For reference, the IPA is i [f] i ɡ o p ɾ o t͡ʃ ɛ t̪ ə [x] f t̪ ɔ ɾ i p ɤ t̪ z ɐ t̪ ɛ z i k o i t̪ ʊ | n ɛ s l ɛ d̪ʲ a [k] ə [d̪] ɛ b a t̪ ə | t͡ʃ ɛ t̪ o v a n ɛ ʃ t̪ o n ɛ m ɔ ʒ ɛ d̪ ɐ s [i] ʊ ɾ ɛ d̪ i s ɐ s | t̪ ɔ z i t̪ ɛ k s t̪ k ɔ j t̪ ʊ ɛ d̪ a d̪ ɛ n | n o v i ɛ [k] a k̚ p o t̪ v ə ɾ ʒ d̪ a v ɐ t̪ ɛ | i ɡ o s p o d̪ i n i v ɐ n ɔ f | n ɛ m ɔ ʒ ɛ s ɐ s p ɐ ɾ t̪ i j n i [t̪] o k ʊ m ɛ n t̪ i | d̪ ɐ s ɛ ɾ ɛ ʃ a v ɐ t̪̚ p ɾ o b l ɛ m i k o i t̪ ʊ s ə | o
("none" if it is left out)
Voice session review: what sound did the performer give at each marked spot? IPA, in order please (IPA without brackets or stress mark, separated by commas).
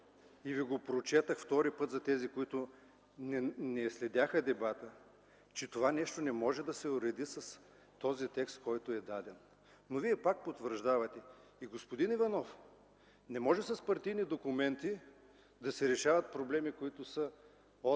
v, x, x, d̪, ɛ, p, d̪